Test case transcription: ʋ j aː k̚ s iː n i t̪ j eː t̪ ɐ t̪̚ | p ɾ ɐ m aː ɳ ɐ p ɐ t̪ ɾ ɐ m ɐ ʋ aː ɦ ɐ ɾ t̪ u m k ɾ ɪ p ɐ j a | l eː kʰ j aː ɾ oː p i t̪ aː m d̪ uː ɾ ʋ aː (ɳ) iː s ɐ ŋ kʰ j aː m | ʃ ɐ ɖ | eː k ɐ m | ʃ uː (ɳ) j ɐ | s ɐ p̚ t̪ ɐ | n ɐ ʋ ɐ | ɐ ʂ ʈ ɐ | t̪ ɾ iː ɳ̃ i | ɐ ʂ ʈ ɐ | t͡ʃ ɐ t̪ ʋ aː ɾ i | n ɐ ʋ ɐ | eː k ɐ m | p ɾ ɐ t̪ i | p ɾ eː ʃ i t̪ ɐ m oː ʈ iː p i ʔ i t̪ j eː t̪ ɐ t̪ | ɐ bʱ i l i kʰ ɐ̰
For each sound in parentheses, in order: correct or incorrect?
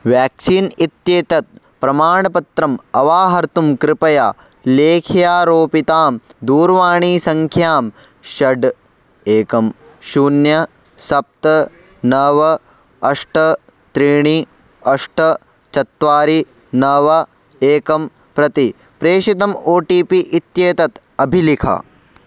correct, incorrect: n

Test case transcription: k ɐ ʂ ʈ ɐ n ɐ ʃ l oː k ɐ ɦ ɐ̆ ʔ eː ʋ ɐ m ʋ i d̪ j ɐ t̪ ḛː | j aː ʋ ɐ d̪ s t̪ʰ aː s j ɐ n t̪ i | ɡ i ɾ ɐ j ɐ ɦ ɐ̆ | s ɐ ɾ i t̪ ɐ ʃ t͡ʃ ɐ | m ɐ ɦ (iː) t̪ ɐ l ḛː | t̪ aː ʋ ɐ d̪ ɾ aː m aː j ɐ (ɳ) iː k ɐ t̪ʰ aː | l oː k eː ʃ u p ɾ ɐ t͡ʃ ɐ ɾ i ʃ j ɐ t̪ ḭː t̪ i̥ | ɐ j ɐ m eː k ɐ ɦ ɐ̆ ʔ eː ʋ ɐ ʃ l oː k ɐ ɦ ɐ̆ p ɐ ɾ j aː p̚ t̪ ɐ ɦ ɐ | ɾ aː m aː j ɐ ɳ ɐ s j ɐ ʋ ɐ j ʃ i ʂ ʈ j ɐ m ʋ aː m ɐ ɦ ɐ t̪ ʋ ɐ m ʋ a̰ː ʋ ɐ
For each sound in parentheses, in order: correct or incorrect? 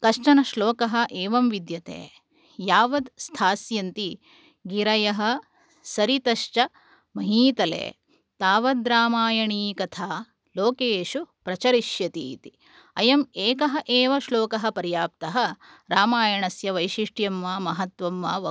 correct, correct

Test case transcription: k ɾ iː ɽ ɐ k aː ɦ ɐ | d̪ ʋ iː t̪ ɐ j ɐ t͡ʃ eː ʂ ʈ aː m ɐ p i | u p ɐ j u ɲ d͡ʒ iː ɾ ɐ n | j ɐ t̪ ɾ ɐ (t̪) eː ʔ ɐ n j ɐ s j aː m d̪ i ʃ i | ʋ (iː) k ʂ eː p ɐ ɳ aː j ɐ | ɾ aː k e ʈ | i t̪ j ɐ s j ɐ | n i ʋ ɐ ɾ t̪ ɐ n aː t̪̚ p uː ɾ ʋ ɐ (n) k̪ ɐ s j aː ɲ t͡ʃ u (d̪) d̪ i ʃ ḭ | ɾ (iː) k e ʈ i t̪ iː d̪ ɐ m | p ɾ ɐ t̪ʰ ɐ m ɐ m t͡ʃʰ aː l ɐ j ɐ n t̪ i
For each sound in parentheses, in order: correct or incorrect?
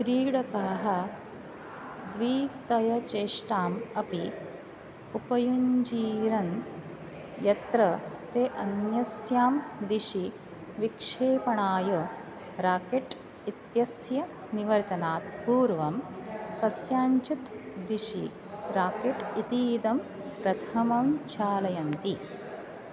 correct, incorrect: i, incorrect: m, incorrect: t̪, incorrect: aː

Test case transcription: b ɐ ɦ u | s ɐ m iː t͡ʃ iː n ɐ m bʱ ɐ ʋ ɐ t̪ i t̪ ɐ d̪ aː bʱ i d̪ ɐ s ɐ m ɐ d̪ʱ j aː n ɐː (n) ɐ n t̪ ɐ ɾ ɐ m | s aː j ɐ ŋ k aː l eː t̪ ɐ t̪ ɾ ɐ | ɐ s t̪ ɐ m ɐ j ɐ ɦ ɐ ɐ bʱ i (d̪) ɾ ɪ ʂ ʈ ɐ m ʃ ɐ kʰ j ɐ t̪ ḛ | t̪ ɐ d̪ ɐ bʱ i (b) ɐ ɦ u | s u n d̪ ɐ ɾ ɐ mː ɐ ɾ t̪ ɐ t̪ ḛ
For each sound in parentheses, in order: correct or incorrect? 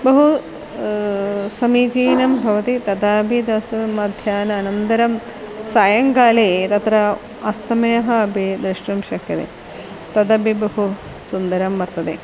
correct, correct, correct

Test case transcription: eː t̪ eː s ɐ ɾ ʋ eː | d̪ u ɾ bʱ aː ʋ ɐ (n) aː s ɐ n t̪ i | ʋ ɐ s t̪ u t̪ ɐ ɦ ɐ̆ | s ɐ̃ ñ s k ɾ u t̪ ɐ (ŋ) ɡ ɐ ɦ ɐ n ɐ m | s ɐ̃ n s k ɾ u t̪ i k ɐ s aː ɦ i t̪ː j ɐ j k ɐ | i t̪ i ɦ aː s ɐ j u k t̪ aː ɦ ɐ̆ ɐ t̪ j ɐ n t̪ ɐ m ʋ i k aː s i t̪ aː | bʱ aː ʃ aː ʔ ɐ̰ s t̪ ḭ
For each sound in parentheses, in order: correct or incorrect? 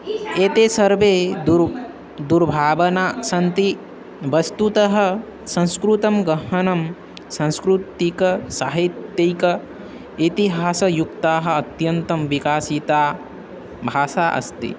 correct, incorrect: m

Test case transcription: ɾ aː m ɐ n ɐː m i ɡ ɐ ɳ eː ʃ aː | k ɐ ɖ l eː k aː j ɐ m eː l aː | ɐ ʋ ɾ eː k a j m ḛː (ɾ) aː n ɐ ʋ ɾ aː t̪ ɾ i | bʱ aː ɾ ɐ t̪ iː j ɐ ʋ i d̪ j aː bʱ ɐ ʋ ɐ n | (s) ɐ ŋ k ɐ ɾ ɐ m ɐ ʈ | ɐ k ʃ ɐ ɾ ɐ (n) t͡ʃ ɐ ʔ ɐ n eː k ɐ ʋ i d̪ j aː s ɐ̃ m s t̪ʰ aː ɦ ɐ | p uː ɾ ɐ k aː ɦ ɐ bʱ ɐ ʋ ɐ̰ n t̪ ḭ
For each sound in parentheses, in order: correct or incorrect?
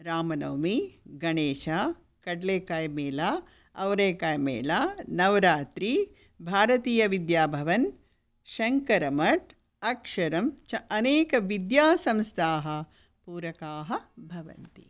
incorrect: l, incorrect: ʃ, incorrect: m

